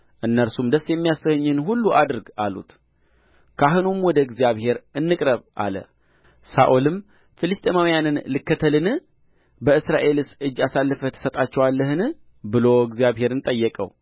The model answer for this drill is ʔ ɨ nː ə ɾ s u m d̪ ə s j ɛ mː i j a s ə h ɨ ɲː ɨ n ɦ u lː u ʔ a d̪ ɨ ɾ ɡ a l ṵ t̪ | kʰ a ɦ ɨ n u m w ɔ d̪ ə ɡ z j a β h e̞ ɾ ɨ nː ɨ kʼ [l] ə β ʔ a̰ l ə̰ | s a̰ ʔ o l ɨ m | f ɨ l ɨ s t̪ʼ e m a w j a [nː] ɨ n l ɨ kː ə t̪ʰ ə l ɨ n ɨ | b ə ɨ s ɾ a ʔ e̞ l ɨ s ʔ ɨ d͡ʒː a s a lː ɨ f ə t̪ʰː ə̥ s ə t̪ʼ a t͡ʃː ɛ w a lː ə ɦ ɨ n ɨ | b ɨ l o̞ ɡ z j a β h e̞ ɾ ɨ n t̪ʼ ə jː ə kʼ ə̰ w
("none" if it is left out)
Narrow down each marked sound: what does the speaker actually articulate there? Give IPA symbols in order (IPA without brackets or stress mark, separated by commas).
ɾ, n